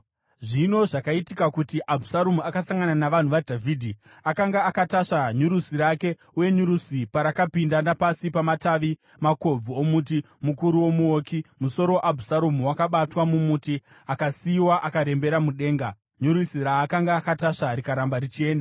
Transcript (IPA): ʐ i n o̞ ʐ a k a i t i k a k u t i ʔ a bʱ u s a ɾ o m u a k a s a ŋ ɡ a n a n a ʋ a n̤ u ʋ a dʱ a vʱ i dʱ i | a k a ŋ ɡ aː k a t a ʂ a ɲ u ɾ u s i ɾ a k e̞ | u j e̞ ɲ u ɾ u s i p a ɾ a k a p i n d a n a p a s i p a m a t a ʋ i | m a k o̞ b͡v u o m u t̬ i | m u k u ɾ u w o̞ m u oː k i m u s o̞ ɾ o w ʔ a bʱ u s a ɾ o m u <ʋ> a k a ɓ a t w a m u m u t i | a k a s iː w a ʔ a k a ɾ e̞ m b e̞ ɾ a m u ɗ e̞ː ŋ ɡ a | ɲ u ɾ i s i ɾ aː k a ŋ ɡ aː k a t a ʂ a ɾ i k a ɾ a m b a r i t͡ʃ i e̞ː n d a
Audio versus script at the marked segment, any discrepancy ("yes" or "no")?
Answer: yes